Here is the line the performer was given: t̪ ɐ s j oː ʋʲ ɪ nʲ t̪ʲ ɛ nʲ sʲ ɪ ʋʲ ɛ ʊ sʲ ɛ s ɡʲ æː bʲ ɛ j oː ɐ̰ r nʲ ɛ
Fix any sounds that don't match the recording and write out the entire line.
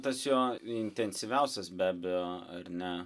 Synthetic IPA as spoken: t̪ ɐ s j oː ɪ nʲ t̪ʲ ɛ nʲ sʲ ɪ ʋʲ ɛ ʊ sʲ ɛ s bʲ æː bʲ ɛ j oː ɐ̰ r nʲ ɛ